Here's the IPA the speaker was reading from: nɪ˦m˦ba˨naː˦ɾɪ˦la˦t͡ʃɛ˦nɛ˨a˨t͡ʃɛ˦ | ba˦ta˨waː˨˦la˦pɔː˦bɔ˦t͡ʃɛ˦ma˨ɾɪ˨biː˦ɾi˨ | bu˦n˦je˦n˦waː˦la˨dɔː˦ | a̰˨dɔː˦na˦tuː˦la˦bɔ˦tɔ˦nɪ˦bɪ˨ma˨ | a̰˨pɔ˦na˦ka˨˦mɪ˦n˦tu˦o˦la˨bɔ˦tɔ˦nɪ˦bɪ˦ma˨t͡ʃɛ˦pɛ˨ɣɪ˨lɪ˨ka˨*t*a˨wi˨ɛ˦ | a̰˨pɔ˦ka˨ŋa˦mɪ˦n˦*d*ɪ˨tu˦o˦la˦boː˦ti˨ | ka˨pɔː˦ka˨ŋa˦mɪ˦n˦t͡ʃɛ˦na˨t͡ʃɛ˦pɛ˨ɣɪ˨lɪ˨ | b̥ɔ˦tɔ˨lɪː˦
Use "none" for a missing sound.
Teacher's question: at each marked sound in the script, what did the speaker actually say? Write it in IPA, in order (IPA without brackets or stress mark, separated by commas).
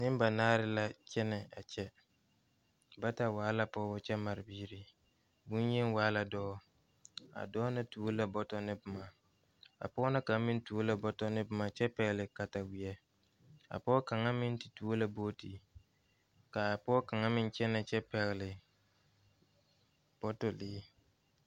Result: t, t